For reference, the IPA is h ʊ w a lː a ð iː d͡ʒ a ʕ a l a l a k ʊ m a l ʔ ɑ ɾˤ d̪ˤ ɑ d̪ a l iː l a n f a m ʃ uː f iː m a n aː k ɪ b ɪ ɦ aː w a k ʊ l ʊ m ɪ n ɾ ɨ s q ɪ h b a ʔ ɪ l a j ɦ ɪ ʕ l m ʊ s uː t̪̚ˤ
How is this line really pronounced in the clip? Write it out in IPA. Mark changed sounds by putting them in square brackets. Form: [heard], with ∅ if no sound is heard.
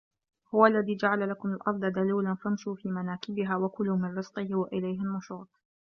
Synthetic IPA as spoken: h ʊ w a lː a ð iː d͡ʒ a ʕ a l a l a k ʊ m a l ʔ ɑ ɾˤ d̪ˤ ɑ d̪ a l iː l a n f a m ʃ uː f iː m a n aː k ɪ b ɪ ɦ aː w a k ʊ l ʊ m ɪ n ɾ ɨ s q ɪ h [w] a ʔ ɪ l a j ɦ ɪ [∅] l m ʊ [ʃ] uː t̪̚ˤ